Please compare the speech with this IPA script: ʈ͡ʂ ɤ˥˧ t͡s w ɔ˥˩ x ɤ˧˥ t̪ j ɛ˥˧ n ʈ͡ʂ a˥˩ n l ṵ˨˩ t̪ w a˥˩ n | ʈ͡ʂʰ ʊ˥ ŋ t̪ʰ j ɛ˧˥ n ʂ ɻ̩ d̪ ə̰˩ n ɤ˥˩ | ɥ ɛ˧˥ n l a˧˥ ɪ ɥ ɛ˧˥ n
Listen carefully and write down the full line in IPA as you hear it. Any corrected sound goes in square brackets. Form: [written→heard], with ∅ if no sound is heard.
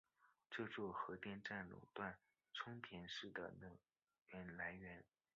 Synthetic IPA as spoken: ʈ͡ʂ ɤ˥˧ t͡s w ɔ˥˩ x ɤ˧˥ t̪ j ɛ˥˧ n ʈ͡ʂ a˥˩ n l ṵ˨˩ t̪ w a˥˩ n | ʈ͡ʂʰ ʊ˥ ŋ t̪ʰ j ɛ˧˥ n ʂ ɻ̩ d̪ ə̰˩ n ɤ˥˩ | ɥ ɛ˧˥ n l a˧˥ ɪ ɥ ɛ˧˥ n